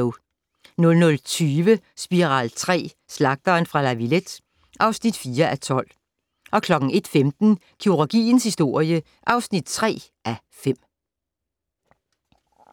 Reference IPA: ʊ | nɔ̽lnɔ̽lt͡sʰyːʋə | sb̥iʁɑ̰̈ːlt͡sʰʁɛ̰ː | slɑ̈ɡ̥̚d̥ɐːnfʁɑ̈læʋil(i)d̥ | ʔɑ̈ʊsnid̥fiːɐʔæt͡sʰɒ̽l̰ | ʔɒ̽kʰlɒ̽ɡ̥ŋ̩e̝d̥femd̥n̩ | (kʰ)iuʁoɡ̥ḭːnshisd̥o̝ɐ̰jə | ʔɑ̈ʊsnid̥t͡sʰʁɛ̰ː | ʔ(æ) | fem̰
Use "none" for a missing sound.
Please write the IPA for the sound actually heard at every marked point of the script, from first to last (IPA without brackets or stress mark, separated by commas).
e, kʰ, æ